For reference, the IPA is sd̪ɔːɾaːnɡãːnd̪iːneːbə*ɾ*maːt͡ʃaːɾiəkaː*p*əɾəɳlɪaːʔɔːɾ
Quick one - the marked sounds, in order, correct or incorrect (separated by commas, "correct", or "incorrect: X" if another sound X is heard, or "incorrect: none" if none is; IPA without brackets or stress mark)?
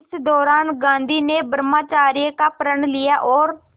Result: correct, correct